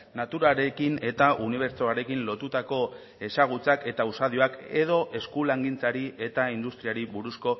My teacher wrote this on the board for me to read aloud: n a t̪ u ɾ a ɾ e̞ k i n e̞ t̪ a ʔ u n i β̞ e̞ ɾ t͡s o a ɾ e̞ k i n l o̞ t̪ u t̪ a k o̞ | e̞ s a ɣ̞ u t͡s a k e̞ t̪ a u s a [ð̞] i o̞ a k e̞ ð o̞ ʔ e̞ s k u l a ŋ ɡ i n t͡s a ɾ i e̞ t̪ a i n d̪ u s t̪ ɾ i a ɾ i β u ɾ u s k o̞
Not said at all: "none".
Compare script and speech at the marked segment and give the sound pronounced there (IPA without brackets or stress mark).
ð̞